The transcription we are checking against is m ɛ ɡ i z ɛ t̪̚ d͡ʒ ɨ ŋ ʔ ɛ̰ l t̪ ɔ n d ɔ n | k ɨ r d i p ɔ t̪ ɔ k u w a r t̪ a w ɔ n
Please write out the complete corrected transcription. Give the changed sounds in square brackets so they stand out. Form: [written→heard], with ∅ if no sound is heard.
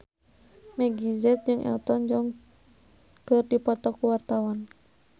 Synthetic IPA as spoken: m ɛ ɡ i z ɛ t̪̚ d͡ʒ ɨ ŋ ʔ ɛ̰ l t̪ ɔ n [d→d͡ʒ] ɔ [n→ŋ] | k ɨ r d i p ɔ t̪ ɔ k u w a r t̪ a w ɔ n